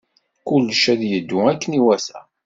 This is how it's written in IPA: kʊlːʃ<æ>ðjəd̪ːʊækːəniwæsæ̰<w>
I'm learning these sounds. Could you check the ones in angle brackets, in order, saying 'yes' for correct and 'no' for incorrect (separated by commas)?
yes, no